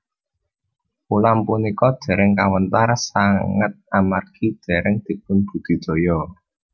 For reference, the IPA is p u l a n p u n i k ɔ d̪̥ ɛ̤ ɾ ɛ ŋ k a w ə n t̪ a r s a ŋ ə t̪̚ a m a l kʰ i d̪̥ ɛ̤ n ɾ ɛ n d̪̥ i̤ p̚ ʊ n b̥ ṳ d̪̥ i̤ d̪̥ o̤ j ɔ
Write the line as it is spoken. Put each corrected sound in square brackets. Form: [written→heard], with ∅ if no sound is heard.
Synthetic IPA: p u l a [n→m] p u n i k ɔ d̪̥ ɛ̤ ɾ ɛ ŋ k a w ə n t̪ a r s a ŋ ə t̪̚ a m a [l→r] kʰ i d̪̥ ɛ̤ [n→∅] ɾ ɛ [n→ŋ] d̪̥ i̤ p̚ ʊ n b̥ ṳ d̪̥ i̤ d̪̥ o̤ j ɔ